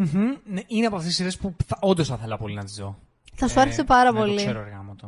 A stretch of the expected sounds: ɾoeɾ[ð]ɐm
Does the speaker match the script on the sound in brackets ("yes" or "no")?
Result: no